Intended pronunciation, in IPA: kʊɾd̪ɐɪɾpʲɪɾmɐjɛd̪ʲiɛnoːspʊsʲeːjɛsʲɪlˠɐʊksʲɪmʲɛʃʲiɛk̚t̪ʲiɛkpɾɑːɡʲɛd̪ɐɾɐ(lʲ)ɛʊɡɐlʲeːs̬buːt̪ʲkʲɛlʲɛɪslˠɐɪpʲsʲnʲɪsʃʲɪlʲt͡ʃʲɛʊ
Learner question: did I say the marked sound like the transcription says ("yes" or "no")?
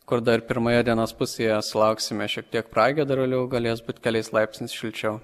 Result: yes